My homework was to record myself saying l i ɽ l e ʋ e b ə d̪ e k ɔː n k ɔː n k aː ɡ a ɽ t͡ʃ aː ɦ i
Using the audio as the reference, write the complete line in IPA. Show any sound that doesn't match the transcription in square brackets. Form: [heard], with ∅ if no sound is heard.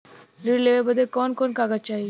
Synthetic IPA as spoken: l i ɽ l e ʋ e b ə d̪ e k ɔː n k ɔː n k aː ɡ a [∅] t͡ʃ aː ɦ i